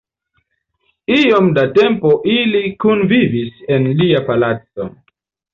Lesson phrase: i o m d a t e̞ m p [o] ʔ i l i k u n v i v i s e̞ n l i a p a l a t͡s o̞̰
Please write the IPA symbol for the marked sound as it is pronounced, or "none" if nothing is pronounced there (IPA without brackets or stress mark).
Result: o